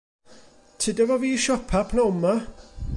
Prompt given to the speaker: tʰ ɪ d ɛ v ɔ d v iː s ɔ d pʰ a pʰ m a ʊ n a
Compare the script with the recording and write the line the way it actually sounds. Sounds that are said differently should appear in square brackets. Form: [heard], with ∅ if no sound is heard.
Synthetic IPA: tʰ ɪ d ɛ v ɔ [∅] v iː [ʃ] ɔ [∅] pʰ a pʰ [n] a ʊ [m] a